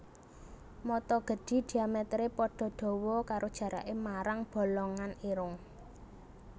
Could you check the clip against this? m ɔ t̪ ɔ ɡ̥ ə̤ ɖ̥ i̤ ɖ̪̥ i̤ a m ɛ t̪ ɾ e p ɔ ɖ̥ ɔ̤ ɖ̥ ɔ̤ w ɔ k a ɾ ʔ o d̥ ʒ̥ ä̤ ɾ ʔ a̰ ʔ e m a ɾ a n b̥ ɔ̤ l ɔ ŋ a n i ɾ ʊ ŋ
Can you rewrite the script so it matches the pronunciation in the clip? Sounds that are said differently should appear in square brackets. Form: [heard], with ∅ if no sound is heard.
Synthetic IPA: m ɔ t̪ ɔ ɡ̥ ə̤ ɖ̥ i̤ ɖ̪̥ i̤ a m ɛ t̪ ɾ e p ɔ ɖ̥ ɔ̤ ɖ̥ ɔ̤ w ɔ k a ɾ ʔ o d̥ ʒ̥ ä̤ ɾ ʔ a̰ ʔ e m a ɾ a [ŋ] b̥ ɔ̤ l ɔ ŋ a n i ɾ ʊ ŋ